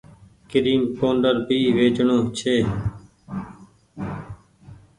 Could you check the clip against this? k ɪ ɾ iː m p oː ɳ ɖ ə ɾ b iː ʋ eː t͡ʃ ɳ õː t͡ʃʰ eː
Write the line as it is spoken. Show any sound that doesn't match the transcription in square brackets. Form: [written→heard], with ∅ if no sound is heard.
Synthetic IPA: k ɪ ɾ iː m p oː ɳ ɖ ə ɾ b iː ʋ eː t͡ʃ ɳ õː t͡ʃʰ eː